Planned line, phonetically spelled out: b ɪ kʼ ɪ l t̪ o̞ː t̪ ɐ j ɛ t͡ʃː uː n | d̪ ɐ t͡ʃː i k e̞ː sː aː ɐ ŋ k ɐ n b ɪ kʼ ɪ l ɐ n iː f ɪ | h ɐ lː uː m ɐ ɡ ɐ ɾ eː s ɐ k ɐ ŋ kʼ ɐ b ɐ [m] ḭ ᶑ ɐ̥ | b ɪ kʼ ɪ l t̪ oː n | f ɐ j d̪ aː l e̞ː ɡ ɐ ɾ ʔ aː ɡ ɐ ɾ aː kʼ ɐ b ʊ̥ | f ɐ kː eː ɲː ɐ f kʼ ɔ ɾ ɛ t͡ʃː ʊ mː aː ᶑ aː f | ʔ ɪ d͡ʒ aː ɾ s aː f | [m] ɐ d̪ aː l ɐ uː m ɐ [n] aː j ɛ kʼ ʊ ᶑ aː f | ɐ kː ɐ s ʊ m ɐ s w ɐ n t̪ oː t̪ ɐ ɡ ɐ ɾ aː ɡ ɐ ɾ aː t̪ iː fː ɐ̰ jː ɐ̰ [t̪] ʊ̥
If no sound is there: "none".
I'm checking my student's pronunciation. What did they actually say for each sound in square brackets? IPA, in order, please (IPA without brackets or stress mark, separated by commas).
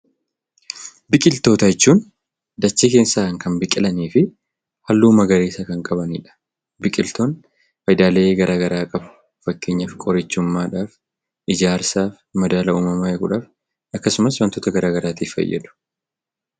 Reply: n, m, m, d̪